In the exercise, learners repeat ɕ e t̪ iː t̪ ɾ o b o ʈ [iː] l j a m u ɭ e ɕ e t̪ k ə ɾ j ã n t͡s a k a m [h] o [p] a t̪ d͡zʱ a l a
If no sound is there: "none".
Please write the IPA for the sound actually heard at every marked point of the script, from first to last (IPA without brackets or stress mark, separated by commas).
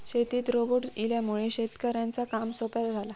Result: i, s, p